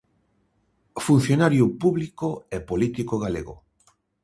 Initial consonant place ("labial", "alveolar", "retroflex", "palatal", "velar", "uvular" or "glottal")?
labial